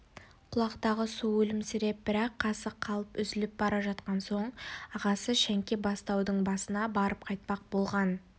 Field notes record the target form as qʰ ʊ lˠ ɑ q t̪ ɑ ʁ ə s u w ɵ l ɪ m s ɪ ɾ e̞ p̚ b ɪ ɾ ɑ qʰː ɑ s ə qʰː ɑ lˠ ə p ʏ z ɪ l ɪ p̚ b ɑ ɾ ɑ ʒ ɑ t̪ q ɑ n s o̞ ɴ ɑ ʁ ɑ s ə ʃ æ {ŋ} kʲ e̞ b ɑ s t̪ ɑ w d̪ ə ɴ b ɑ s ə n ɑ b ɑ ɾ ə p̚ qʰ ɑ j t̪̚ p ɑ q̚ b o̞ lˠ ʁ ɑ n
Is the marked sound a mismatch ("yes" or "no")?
no